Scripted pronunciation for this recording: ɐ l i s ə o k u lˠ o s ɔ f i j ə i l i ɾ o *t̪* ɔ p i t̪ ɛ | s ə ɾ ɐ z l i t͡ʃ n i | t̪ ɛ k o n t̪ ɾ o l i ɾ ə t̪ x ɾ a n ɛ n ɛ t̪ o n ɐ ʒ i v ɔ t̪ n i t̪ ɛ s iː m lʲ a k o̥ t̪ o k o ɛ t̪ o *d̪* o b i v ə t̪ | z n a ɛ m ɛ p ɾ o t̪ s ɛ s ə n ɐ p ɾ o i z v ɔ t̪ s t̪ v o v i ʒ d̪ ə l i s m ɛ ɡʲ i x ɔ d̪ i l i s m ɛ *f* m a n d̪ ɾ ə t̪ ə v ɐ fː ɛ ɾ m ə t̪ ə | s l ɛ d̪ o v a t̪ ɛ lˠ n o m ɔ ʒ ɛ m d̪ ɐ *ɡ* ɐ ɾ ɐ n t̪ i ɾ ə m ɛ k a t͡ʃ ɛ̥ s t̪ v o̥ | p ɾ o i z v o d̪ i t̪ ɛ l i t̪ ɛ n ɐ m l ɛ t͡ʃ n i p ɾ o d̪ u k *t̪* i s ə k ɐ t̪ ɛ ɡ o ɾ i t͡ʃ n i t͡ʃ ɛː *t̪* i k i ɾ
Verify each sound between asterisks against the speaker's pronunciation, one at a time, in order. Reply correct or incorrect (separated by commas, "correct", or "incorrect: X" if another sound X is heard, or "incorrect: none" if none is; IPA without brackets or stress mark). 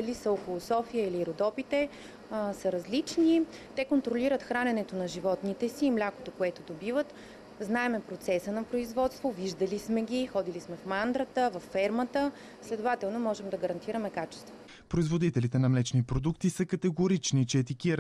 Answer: incorrect: d̪, correct, correct, correct, correct, correct